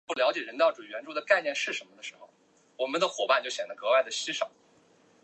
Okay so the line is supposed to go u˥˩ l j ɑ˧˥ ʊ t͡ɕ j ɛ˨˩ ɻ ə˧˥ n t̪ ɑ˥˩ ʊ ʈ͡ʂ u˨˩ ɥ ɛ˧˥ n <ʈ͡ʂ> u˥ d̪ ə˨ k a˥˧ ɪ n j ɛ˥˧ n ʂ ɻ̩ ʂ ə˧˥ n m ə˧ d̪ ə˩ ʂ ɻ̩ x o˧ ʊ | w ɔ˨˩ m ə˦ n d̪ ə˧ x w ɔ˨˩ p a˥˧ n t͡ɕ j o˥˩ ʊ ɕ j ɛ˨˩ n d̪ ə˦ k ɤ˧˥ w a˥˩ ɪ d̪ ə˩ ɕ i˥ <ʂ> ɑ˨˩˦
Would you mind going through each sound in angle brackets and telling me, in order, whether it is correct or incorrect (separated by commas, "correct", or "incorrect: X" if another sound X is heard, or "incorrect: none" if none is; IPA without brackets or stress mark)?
correct, correct